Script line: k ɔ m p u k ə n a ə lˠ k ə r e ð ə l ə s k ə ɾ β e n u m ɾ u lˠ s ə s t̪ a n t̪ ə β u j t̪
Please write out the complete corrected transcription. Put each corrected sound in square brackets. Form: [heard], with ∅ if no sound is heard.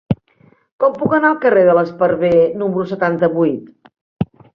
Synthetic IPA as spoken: k ɔ m p u k ə n a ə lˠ k ə r e ð ə l ə s [p] ə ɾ β e n u m ɾ u [∅] s ə [∅] t̪ a n t̪ ə β u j t̪